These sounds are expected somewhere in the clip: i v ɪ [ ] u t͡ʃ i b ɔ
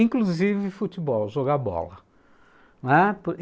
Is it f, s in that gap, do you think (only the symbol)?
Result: f